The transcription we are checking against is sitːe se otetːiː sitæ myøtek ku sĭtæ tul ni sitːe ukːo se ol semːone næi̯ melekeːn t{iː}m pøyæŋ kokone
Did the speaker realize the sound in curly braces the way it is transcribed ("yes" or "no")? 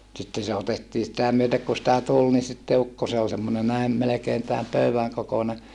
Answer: no